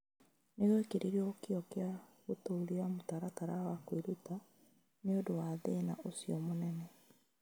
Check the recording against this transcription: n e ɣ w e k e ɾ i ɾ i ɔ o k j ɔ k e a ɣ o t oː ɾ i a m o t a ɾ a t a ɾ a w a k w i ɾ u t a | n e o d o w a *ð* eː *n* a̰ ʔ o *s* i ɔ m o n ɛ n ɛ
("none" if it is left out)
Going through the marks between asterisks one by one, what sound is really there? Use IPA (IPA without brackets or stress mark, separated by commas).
ð, n, s